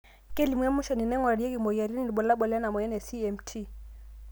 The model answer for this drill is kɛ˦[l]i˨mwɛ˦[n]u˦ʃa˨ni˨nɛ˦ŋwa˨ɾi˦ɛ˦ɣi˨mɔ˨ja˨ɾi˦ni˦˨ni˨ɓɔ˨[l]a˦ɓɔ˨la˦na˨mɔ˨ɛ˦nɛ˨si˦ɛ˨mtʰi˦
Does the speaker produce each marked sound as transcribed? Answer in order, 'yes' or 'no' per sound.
yes, no, yes

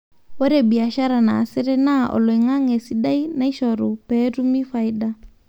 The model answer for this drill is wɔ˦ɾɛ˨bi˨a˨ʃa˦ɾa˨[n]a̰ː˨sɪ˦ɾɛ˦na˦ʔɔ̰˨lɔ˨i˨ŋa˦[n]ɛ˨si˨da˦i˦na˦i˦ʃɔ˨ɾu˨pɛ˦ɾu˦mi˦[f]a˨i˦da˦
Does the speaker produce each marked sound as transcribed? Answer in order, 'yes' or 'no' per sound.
yes, no, yes

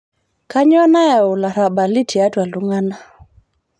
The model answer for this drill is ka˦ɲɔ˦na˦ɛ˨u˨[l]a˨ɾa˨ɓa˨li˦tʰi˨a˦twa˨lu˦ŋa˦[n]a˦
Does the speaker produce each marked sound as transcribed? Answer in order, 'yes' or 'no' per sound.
yes, yes

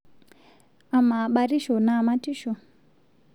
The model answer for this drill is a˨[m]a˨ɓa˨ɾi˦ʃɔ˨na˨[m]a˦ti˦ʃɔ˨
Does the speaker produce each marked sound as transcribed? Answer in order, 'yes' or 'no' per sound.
yes, yes

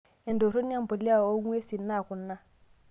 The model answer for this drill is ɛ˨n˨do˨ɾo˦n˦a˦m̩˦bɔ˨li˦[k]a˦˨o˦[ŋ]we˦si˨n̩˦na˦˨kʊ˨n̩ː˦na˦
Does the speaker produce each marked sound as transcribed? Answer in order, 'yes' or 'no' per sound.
no, yes

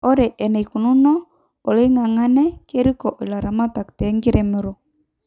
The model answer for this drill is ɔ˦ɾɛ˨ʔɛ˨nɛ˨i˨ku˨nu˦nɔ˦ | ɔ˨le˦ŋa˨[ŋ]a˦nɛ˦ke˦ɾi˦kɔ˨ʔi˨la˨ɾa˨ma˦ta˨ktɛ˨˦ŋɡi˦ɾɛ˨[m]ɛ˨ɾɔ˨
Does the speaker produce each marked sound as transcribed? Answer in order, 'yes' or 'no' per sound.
yes, yes

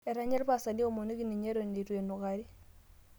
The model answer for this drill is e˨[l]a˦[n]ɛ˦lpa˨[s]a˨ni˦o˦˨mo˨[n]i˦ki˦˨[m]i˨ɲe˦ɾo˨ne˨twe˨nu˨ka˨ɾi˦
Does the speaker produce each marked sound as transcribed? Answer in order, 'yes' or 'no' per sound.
no, no, yes, yes, no

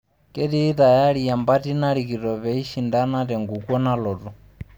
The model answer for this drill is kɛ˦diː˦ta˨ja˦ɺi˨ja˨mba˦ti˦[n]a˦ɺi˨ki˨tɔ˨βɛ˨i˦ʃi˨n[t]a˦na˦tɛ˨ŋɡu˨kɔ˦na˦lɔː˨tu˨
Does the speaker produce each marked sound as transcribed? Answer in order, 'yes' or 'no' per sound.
yes, no

